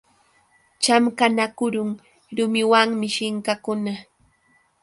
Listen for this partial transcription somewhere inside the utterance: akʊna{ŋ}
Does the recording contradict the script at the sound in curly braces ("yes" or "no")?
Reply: yes